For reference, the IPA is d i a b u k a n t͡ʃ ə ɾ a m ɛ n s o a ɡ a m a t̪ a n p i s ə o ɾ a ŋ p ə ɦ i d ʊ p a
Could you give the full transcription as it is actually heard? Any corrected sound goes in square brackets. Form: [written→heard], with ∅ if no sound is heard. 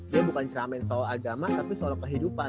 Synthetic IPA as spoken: d i a b u k a n t͡ʃ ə ɾ a m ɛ n s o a ɡ a m a t̪ a [n→∅] p i s ə o ɾ a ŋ [p→k] ə ɦ i d [ʊ→u] p a

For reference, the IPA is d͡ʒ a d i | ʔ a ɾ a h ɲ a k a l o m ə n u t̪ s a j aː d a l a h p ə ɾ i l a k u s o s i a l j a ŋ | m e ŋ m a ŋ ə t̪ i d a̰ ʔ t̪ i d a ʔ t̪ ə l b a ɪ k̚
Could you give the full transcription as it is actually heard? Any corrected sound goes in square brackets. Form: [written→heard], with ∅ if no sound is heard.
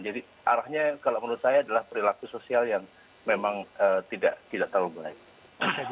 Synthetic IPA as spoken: d͡ʒ a d i | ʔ a ɾ a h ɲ a k a l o m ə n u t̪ s a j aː d a l a h p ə ɾ i l a k u s o s i a l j a ŋ | m e [ŋ→∅] m a ŋ ə t̪ i d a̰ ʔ t̪ i d a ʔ t̪ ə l b a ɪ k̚

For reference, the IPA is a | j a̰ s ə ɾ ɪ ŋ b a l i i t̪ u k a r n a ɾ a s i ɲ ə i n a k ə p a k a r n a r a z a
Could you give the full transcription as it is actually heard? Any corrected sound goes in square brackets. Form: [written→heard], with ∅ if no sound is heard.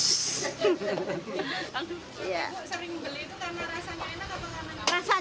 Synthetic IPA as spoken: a | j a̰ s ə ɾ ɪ ŋ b [a→ə] l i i t̪ u k a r n a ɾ a s [i→a] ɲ [ə→a] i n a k [ə→a] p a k a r n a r a [z→s] a

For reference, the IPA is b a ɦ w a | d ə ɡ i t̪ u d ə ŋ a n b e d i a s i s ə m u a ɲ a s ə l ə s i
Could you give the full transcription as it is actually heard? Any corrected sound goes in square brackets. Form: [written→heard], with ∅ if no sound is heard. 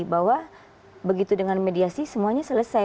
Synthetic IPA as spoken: b a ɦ w a | [d→b] ə ɡ i t̪ u d ə ŋ a n [b→m] e d i a s i s ə m u a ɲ a s ə l ə s [i→a]

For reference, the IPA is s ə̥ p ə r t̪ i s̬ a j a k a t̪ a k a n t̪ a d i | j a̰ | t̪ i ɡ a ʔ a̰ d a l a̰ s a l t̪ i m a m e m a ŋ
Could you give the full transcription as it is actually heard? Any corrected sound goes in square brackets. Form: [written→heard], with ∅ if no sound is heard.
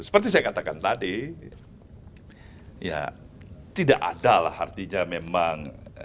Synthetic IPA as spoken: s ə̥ p ə r t̪ i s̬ a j a k a t̪ a k a n t̪ a d i | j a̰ | t̪ i [ɡ→d] a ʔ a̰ d a l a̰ [s→h] a [l→r] t̪ i [m→ɲ] a m e m a ŋ

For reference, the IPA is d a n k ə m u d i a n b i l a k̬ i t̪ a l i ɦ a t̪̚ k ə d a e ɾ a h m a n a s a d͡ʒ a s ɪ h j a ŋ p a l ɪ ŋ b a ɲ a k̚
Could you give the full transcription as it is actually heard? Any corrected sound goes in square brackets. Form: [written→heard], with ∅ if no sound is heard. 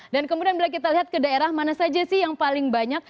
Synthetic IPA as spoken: d a n k ə m u d i a n b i l a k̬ i t̪ a l i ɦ a t̪̚ k ə d a e ɾ a h m a n a s a d͡ʒ a s ɪ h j a ŋ p a l ɪ ŋ b a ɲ a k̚

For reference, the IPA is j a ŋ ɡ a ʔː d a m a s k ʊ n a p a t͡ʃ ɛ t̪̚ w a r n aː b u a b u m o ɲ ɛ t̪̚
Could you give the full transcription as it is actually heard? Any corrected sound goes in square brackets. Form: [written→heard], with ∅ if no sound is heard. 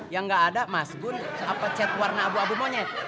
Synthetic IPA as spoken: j a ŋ ɡ a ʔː d a m a s [k→ɡ] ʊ n a p a t͡ʃ ɛ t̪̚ w a r n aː b u a b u m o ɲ ɛ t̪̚

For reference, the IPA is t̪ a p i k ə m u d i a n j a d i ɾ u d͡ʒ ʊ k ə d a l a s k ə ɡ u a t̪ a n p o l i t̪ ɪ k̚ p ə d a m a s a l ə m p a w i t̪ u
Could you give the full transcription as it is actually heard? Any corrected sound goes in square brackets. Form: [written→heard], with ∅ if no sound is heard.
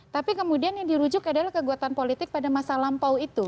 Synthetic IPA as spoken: t̪ a p i k ə m u d i a n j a d i ɾ u d͡ʒ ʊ k [ə→a] d a l a [s→h] k ə ɡ u a t̪ a n p o l i t̪ ɪ k̚ p [ə→a] d a m a s a l [ə→a] m p a w i t̪ u

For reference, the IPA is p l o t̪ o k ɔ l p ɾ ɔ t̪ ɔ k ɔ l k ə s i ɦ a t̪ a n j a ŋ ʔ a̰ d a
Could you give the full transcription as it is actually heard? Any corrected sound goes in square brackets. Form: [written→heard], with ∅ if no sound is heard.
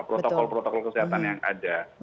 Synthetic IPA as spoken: p [l→ɾ] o t̪ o k ɔ l p ɾ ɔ t̪ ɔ k ɔ l k ə s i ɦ a t̪ a n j a ŋ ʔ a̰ d a

